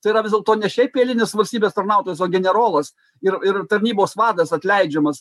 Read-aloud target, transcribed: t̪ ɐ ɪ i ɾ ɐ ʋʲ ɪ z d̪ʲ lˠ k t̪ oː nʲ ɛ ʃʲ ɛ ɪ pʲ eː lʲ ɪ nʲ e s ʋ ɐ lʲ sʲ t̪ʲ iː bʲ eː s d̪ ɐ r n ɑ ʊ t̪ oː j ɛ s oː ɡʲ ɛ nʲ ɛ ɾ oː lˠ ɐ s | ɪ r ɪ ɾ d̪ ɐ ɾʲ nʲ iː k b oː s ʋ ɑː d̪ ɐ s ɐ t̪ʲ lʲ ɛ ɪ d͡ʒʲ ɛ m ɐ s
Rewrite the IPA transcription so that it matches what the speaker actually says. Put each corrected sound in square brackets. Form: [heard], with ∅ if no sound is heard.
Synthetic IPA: t̪ ɐ ɪ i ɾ ɐ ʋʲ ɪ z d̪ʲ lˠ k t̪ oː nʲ ɛ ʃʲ ɛ ɪ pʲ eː lʲ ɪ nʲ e s ʋ ɐ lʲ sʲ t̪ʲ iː bʲ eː s [t̪] ɐ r n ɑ ʊ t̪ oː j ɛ s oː ɡʲ ɛ nʲ ɛ ɾ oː lˠ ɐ s | ɪ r ɪ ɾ [t̪] ɐ ɾʲ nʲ iː [∅] b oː s ʋ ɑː d̪ ɐ s ɐ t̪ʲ lʲ ɛ ɪ d͡ʒʲ ɛ m ɐ s

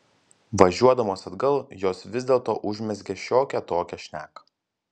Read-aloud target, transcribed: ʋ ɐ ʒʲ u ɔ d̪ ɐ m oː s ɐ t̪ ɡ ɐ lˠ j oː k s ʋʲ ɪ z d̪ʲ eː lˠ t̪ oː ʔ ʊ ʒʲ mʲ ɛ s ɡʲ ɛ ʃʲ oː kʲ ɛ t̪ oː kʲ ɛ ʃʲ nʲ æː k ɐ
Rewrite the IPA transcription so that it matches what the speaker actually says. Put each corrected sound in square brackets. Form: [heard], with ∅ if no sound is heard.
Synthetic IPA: ʋ ɐ ʒʲ u ɔ d̪ ɐ m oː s ɐ [d̪] ɡ ɐ lˠ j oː [∅] s ʋʲ ɪ z d̪ʲ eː lˠ t̪ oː ʔ ʊ ʒʲ mʲ ɛ s ɡʲ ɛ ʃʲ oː kʲ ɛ t̪ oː kʲ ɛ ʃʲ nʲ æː k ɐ

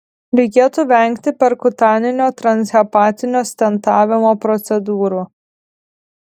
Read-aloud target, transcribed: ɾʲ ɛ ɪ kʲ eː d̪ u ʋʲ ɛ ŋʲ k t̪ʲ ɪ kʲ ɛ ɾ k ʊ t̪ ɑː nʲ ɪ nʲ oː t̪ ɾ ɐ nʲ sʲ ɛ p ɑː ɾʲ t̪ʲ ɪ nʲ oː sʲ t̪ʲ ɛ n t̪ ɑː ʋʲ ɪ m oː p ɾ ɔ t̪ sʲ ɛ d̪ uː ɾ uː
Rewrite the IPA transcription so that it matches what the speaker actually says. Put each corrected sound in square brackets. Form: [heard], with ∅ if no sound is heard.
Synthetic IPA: ɾʲ ɛ ɪ kʲ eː [t̪] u ʋʲ ɛ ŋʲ k t̪ʲ ɪ [pʲ] ɛ ɾ k ʊ t̪ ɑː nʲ ɪ nʲ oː t̪ ɾ ɐ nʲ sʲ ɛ p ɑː [∅] t̪ʲ ɪ nʲ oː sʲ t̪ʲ ɛ n t̪ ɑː ʋʲ ɪ m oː p ɾ ɔ t̪ sʲ ɛ d̪ uː ɾ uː

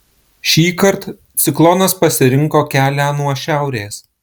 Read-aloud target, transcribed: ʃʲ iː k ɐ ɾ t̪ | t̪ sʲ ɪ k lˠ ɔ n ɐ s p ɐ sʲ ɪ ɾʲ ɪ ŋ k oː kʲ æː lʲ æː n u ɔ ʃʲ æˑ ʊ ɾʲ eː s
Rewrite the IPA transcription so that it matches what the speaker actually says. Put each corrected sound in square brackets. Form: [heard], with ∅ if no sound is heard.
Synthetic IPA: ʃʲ iː k ɐ ɾ t̪ | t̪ sʲ ɪ k lˠ ɔ n ɐ s p ɐ sʲ ɪ ɾʲ ɪ ŋ k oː kʲ æː lʲ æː n u ɔ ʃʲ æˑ ʊ ɾʲ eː s

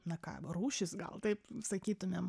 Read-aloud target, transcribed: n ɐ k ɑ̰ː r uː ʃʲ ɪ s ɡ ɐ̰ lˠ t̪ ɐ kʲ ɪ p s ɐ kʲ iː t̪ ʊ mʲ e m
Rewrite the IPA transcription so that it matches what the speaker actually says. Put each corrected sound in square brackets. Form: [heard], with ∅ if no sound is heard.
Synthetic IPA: n ɐ k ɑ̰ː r uː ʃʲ ɪ s ɡ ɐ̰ lˠ t̪ ɐ [∅] ɪ p s ɐ kʲ iː t̪ ʊ mʲ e m

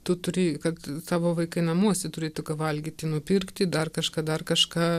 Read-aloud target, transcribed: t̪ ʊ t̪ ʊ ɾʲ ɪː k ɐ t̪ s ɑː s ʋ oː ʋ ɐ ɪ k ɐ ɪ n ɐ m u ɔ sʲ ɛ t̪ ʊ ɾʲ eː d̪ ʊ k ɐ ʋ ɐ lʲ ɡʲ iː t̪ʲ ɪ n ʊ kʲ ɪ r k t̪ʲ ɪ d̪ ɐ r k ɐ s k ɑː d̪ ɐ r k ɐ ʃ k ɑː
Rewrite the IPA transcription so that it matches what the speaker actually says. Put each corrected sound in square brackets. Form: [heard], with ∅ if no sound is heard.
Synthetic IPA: t̪ ʊ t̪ ʊ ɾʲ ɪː k ɐ t̪ s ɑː [∅] ʋ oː ʋ ɐ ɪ k ɐ ɪ n ɐ m u ɔ sʲ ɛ t̪ ʊ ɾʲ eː [t̪] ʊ k ɐ ʋ ɐ lʲ ɡʲ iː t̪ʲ ɪ n ʊ [pʲ] ɪ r k t̪ʲ ɪ d̪ ɐ r k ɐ [ʃ] k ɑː d̪ ɐ r k ɐ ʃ k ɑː

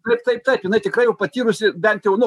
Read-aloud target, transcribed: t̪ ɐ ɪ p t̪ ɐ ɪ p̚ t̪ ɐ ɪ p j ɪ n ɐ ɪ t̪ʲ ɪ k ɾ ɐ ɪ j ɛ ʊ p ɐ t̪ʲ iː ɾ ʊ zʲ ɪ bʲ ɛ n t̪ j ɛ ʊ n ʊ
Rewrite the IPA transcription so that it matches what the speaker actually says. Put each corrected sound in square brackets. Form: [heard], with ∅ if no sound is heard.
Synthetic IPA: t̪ ɐ ɪ p t̪ ɐ ɪ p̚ t̪ ɐ ɪ p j ɪ n ɐ ɪ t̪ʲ ɪ k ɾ ɐ ɪ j ɛ ʊ p ɐ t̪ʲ iː ɾ ʊ [sʲ] ɪ bʲ ɛ n t̪ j ɛ ʊ n ʊ

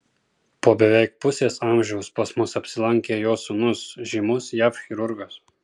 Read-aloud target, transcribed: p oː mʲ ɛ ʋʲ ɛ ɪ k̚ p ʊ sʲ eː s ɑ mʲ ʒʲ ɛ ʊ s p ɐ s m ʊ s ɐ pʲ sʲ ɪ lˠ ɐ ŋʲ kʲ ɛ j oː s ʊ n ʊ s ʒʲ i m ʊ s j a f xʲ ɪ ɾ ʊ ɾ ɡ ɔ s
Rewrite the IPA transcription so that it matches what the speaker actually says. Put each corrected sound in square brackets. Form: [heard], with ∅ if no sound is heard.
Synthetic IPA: p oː [bʲ] ɛ ʋʲ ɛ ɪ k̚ p ʊ sʲ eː s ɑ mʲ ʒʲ ɛ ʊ s p ɐ s m ʊ s ɐ pʲ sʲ ɪ lˠ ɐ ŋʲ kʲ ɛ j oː s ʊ n ʊ s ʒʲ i m ʊ s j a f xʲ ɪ ɾ ʊ ɾ ɡ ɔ s

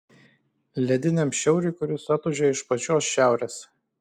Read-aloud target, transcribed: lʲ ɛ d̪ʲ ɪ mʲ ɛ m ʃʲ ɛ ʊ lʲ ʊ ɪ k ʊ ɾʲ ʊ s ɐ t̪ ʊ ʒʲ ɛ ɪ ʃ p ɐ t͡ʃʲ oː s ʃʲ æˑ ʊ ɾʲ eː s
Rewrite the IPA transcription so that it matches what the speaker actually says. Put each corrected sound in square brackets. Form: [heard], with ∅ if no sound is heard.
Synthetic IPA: lʲ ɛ d̪ʲ ɪ [nʲ] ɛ m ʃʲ ɛ ʊ [ɾʲ] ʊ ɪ k ʊ ɾʲ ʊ s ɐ t̪ ʊ ʒʲ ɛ ɪ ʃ p ɐ t͡ʃʲ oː s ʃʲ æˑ ʊ ɾʲ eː s

